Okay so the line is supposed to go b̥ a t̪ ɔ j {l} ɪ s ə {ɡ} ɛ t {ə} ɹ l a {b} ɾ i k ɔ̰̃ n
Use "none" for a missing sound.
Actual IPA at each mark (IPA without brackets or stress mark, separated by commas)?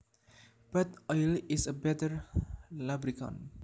l, b, ə, b